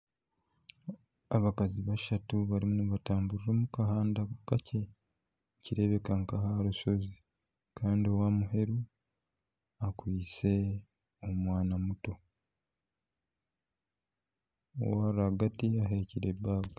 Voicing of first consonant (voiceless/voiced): voiced